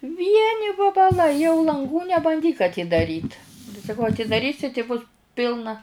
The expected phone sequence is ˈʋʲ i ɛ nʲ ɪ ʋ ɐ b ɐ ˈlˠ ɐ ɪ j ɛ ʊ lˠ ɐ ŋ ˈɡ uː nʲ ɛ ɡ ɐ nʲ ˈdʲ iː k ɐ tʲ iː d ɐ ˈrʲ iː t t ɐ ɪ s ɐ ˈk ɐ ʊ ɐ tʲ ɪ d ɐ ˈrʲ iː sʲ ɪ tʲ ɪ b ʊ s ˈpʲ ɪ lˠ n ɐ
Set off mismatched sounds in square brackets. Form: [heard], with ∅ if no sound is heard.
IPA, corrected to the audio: ˈʋʲ i ɛ nʲ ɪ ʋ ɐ b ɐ ˈlˠ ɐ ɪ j ɛ ʊ lˠ ɐ ŋ ˈɡ uː nʲ ɛ [b] ɐ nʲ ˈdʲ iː k ɐ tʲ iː d ɐ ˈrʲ iː t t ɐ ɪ s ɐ ˈk ɐ ʊ ɐ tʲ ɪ d ɐ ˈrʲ iː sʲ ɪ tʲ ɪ b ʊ s ˈpʲ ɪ lˠ n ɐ